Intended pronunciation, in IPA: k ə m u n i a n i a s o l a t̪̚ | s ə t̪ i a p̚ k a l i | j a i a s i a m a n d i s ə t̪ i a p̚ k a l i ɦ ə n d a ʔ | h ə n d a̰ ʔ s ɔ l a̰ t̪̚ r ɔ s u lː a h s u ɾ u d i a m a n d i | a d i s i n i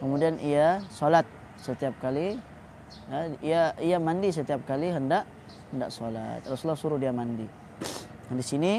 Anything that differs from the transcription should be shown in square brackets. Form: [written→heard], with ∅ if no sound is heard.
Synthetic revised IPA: k ə m u [n→d] i a n i a s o l a t̪̚ | s ə t̪ i a p̚ k a l i | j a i a [s→∅] i a m a n d i s ə t̪ i a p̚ k a l i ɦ ə n d a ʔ | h ə n d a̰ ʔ s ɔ l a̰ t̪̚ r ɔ s u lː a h s u ɾ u d i a m a n d i | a d i s i n i